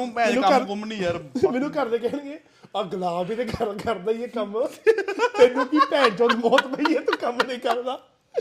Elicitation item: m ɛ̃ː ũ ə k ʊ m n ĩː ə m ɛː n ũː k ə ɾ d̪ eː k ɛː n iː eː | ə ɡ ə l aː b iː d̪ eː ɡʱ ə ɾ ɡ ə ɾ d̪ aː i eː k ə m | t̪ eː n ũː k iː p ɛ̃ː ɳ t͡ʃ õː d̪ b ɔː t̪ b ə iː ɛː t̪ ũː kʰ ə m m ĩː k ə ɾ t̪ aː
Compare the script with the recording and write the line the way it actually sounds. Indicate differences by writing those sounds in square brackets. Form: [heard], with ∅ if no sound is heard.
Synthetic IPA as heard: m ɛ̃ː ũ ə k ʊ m n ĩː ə m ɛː n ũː k ə ɾ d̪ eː k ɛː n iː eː | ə ɡ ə l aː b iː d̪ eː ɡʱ ə ɾ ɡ ə ɾ d̪ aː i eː k ə m | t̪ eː n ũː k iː p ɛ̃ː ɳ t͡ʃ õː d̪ [m] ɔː t̪ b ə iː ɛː t̪ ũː [k] ə m [n] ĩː k ə ɾ [d̪] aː